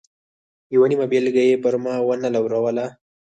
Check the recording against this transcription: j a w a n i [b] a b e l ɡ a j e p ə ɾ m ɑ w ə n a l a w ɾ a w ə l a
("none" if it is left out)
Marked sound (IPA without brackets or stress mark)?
m